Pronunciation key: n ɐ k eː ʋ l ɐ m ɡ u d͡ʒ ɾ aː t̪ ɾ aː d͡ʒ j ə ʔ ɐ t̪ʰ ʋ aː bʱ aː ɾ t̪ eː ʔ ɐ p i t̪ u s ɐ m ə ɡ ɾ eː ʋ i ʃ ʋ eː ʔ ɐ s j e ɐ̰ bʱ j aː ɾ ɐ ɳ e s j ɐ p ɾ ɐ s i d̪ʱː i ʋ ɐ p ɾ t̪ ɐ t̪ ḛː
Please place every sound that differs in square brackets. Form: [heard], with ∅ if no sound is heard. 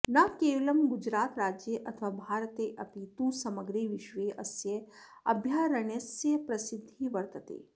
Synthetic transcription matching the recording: n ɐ k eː ʋ l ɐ m ɡ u d͡ʒ ɾ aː t̪ ɾ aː d͡ʒ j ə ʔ ɐ t̪ʰ ʋ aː bʱ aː ɾ t̪ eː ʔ ɐ p i t̪ u s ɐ m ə ɡ ɾ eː ʋ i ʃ ʋ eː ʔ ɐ s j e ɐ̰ bʱ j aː ɾ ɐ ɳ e s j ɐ p ɾ ɐ s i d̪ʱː i ʋ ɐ [∅] ɾ t̪ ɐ t̪ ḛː